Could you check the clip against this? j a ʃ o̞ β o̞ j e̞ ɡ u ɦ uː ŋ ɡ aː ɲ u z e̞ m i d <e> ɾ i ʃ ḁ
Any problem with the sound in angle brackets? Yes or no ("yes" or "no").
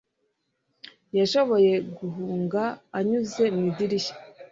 yes